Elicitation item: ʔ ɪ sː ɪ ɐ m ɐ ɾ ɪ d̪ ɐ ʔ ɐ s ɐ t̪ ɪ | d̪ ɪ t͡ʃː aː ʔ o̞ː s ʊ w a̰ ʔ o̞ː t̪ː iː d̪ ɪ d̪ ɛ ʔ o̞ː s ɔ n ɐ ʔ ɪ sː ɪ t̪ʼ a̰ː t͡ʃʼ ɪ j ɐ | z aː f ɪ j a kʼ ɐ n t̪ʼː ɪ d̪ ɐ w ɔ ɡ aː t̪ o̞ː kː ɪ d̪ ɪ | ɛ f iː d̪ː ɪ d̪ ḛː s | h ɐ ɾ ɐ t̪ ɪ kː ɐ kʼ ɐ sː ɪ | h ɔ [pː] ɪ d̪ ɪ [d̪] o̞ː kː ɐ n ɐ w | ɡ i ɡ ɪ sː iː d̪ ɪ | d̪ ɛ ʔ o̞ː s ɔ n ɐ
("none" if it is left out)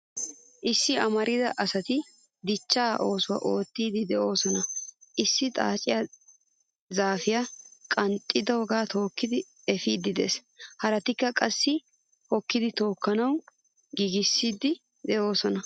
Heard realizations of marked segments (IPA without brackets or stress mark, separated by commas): kː, t̪